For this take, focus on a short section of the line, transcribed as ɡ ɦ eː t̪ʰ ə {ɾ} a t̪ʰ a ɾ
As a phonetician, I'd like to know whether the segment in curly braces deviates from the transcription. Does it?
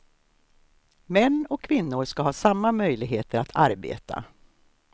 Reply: no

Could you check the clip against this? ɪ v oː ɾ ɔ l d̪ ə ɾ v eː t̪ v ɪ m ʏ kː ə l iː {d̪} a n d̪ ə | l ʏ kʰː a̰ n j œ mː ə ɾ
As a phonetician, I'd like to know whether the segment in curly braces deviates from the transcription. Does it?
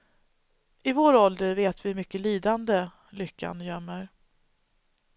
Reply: no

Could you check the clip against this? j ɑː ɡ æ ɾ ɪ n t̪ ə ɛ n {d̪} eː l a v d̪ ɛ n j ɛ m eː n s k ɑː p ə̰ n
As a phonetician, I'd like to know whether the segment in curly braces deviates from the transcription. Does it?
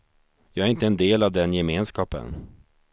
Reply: no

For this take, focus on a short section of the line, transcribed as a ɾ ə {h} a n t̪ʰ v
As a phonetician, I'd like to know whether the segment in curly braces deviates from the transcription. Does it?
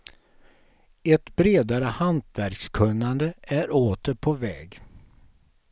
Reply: no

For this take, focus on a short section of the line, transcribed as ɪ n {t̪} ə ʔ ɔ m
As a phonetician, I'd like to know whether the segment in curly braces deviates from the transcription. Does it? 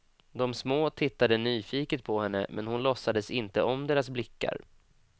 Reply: no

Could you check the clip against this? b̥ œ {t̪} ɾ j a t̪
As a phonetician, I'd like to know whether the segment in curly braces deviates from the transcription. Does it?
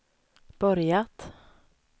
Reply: yes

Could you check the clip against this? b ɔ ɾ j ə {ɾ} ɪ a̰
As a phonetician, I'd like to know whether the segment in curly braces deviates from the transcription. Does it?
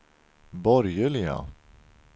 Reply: yes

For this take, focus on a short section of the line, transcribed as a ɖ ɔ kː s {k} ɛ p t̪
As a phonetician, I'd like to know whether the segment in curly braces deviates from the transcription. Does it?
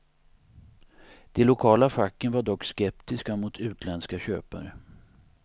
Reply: no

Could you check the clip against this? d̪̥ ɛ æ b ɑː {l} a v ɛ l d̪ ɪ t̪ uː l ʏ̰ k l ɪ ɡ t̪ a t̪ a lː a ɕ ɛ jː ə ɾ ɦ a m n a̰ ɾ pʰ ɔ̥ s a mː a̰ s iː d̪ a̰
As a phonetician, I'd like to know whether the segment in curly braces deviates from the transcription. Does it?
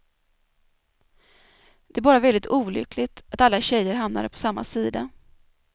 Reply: yes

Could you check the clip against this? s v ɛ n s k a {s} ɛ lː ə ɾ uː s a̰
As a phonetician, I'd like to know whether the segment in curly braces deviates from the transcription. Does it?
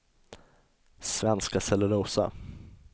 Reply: no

